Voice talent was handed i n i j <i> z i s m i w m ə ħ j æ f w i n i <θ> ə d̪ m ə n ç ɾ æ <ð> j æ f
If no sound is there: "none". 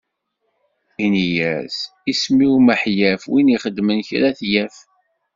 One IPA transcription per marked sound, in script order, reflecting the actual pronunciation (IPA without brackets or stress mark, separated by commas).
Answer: æ, χ, θ